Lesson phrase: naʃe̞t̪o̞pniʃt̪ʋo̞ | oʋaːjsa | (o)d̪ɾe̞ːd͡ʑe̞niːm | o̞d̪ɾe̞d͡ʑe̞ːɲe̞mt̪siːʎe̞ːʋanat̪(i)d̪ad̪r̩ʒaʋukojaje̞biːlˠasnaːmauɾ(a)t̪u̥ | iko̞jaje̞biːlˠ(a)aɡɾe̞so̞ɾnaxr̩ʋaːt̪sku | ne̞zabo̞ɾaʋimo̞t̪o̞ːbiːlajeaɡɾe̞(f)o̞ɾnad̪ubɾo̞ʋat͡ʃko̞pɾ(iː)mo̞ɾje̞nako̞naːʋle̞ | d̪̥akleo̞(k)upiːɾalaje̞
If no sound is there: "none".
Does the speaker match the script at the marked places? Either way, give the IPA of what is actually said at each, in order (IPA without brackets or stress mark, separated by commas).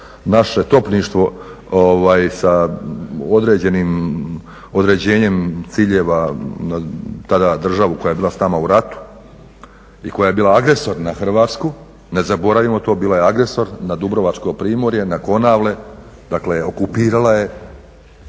o, a, a, a, s, iː, k